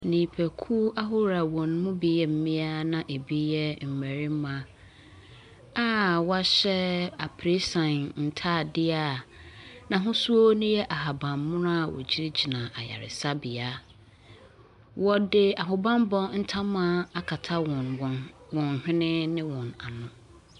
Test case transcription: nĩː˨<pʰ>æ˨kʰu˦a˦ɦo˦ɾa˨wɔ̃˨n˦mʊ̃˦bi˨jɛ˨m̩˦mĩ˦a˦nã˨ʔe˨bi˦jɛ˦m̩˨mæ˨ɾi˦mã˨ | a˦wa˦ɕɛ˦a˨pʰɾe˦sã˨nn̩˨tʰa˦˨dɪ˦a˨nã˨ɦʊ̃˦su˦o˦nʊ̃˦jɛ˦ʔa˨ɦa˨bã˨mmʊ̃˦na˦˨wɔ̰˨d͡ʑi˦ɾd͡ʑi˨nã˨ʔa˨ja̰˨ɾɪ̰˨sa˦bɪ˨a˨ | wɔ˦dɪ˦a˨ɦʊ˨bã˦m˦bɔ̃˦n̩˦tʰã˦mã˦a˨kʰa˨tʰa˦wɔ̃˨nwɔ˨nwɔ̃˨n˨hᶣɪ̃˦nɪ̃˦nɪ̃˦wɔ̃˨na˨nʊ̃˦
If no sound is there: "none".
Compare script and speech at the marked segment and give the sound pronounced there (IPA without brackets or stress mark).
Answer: pʰ